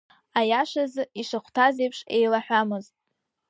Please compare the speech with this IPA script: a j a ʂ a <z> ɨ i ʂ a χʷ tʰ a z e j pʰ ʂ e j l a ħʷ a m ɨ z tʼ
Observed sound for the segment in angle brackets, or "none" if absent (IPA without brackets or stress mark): z